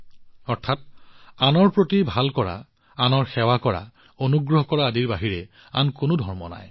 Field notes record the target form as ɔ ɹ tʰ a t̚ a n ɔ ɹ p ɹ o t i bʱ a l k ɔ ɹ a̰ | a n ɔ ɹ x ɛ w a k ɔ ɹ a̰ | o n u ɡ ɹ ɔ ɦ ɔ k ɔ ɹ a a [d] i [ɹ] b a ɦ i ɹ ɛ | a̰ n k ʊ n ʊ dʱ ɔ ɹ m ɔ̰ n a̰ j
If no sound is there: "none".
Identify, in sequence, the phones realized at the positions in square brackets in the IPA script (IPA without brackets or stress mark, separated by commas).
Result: d, ɹ